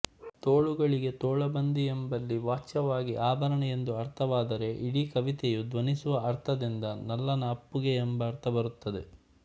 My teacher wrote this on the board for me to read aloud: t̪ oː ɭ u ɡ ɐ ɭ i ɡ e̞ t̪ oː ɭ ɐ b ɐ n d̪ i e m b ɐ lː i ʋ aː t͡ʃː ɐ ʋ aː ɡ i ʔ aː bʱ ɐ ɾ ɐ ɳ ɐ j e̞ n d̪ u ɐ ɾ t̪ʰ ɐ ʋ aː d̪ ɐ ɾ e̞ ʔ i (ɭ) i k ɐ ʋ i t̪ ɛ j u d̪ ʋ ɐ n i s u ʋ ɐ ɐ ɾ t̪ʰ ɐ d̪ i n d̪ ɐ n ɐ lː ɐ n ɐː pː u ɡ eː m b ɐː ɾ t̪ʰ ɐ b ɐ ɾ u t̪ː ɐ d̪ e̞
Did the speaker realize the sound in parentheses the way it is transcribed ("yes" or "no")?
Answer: no